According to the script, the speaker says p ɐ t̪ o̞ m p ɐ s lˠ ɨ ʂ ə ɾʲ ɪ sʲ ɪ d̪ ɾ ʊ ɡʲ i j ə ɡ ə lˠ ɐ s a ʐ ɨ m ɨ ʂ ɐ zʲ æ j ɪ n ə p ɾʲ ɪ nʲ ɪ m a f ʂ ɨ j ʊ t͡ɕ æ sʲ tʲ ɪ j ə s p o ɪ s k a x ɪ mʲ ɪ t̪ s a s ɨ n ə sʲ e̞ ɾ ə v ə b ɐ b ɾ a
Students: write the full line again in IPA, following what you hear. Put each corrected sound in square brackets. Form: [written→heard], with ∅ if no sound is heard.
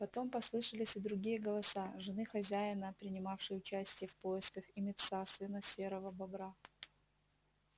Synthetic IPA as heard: p ɐ t̪ o̞ m p ɐ s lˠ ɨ ʂ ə [ɾʲ→lʲ] ɪ sʲ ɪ d̪ ɾ ʊ ɡʲ i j ə ɡ ə lˠ ɐ s a ʐ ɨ [m→n] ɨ [ʂ→x] ɐ zʲ æ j ɪ n ə p ɾʲ ɪ nʲ ɪ m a f ʂ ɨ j ʊ t͡ɕ æ sʲ tʲ ɪ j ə [s→f] p o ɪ s k [a→ə] x ɪ mʲ ɪ t̪ s a s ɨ n ə sʲ e̞ ɾ ə v ə b ɐ b ɾ a